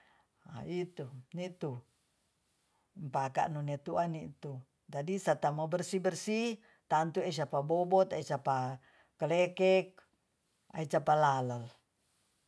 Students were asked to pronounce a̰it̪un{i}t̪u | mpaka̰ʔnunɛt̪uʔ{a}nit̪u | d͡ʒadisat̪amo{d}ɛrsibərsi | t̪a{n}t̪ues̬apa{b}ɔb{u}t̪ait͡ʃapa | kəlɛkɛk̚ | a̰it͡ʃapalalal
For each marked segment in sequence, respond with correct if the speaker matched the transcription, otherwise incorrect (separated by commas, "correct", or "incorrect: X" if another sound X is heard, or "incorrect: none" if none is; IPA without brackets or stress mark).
correct, correct, incorrect: b, correct, correct, incorrect: ɔ